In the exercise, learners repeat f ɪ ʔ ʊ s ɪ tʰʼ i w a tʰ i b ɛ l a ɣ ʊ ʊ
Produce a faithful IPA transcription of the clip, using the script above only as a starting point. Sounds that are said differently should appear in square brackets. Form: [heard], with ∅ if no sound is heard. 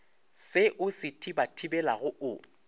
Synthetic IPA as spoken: [s] ɪ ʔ ʊ s ɪ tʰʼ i [b] a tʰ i b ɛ l a ɣ ʊ ʊ

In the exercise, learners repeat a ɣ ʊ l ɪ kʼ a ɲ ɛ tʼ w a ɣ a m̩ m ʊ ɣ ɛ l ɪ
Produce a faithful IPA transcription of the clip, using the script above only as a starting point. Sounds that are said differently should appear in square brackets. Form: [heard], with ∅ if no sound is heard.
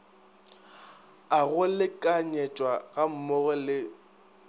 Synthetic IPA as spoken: a ɣ ʊ l ɪ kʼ a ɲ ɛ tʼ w a ɣ a m̩ m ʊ ɣ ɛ l ɪ

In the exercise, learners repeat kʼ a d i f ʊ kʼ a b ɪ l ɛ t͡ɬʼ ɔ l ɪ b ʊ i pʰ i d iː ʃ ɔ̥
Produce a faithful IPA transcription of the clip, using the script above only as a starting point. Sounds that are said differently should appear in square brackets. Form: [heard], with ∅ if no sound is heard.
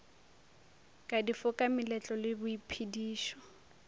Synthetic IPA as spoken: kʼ a d i f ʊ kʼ a [m] ɪ l ɛ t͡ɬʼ ɔ l ɪ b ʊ i pʰ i d iː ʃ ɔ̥

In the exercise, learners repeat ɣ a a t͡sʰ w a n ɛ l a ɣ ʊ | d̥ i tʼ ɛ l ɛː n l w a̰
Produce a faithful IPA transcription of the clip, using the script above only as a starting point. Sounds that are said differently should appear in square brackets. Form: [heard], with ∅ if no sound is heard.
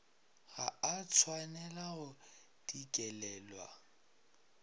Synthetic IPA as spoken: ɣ a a t͡sʰ w a n ɛ l a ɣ ʊ | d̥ i [kʼ] ɛ l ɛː [∅] l w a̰

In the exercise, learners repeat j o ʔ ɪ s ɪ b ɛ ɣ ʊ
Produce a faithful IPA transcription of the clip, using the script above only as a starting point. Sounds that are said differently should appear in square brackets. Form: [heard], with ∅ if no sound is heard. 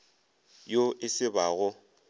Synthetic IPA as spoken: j o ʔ ɪ s ɪ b [a] ɣ ʊ

